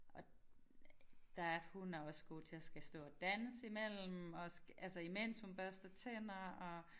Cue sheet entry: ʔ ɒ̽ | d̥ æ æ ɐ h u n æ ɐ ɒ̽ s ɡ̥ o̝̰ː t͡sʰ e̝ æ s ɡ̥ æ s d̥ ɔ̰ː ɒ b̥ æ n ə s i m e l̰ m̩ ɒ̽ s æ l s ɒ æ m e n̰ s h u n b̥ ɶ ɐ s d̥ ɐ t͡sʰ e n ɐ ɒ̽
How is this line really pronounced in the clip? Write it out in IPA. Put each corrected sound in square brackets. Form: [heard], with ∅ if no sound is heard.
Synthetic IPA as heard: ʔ ɒ̽ | d̥ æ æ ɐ h u n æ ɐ ɒ̽ s ɡ̥ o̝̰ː t͡sʰ e̝ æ s ɡ̥ æ s d̥ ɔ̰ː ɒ [d̥] æ n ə s i m e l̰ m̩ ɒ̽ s æ l s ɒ [i] m e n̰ s h u n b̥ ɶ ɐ s d̥ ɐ t͡sʰ e n ɐ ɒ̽